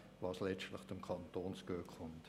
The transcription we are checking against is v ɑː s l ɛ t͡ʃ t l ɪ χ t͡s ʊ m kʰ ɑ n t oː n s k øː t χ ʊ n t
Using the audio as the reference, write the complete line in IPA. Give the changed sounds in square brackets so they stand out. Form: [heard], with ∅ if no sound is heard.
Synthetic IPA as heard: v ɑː s l ɛ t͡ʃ t l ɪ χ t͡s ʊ m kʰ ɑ n t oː n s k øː [k] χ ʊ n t